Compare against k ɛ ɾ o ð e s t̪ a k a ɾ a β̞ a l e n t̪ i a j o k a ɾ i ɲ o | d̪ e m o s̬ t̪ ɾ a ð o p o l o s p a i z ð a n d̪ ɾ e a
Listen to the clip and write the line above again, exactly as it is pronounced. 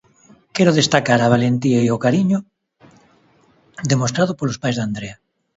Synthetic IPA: k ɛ ɾ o ð e s t̪ a k a ɾ a β̞ a l e n t̪ i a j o k a ɾ i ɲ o | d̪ e m o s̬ t̪ ɾ a ð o p o l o s p a j z ð a n d̪ ɾ e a